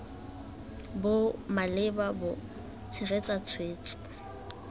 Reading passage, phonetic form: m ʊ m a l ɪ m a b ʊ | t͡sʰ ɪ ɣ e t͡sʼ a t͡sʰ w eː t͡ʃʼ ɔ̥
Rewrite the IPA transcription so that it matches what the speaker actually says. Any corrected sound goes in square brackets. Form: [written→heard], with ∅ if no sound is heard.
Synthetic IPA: [m→b] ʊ m a l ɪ [m→b] a b ʊ | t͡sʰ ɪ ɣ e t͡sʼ a t͡sʰ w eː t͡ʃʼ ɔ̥